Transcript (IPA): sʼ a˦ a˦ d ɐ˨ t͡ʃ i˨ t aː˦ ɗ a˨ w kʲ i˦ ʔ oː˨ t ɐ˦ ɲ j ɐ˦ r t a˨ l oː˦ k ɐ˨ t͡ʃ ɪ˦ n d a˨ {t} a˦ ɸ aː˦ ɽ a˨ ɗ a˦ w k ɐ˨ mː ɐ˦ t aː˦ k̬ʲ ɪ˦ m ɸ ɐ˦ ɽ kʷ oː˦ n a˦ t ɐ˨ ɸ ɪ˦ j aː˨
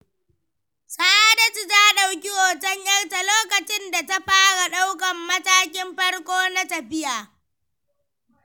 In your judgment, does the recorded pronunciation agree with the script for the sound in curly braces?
yes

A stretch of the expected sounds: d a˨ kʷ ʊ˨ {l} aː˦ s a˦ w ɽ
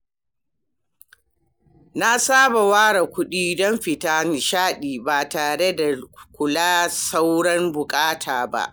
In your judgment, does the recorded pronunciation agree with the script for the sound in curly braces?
yes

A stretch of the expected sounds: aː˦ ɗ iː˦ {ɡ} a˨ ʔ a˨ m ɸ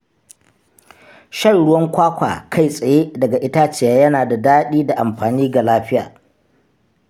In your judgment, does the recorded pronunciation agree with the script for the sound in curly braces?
no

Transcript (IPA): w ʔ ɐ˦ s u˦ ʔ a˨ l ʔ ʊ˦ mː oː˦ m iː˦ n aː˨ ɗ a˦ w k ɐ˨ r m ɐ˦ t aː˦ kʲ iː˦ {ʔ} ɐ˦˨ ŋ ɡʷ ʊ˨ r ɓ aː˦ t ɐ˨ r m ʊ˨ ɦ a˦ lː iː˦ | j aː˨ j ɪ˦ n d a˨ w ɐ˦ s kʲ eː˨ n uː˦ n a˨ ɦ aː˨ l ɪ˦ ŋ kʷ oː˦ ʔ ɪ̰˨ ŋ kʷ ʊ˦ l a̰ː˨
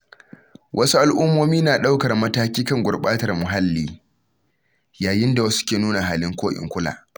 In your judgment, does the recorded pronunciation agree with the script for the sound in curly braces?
no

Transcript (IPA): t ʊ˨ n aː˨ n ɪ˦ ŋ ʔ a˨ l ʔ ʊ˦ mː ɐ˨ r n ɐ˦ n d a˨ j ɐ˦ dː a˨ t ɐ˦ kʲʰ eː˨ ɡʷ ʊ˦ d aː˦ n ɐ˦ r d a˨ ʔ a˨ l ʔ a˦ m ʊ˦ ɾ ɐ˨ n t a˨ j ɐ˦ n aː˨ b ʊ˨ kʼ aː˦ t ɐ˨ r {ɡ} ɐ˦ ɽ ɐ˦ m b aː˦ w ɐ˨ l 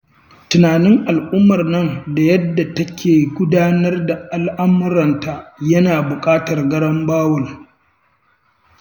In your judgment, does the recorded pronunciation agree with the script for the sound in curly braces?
yes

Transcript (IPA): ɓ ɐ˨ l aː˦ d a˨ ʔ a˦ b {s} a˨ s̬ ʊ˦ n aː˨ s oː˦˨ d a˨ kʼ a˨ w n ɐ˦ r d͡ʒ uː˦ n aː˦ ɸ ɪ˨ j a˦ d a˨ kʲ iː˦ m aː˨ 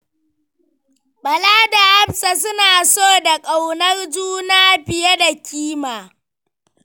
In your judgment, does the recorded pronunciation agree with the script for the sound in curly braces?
yes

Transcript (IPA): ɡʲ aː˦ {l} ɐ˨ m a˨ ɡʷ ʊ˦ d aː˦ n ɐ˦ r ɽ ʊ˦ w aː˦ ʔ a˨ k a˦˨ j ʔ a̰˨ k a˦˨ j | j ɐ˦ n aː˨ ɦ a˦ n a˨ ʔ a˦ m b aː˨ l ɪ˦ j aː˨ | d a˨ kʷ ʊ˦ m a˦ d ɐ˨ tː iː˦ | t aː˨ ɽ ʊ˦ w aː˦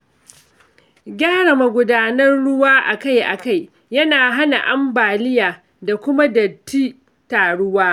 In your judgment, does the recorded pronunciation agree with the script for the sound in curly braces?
no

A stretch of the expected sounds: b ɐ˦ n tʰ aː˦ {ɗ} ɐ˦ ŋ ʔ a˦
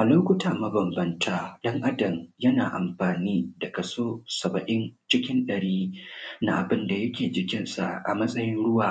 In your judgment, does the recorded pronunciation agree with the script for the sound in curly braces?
yes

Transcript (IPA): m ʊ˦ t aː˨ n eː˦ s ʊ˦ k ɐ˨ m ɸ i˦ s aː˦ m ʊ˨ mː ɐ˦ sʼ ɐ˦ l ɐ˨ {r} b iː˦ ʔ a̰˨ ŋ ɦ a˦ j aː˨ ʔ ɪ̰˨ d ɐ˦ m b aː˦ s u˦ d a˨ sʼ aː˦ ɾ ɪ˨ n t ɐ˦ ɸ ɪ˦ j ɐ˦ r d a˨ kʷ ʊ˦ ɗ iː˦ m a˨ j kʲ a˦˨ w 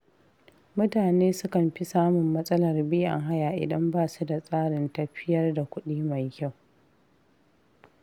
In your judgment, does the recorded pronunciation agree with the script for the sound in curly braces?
yes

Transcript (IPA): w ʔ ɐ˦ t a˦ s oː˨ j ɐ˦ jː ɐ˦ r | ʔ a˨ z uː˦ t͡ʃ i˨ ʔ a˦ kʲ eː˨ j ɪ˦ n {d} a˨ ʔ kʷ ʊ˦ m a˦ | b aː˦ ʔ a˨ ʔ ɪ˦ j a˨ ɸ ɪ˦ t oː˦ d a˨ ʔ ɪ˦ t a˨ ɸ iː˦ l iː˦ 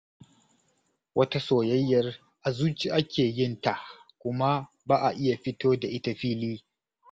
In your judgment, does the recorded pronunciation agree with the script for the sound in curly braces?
no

